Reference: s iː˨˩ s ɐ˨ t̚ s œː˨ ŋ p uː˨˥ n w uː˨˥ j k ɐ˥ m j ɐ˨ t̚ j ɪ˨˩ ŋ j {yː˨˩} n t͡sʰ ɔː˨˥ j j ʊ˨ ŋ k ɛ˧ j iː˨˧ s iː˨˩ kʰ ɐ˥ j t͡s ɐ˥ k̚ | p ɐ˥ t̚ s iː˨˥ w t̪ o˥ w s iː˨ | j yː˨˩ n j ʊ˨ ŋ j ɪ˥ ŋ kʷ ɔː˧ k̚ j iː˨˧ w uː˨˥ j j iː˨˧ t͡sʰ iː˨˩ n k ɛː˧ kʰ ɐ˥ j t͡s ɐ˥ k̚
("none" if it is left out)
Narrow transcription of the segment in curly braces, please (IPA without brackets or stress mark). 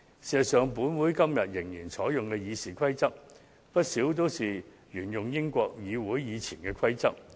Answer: iː˨˩